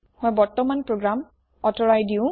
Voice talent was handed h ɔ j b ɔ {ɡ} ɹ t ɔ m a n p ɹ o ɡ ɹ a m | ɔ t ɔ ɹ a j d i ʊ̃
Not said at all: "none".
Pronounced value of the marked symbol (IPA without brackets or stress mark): none